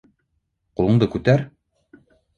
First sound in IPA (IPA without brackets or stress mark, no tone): q